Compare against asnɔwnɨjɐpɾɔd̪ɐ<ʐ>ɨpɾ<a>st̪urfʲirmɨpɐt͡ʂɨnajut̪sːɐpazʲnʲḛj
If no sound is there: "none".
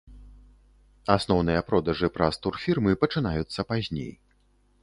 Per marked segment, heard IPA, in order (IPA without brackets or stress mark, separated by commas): ʐ, a